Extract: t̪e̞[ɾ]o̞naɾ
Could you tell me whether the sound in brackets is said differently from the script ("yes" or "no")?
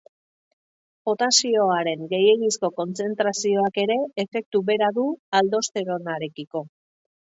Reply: no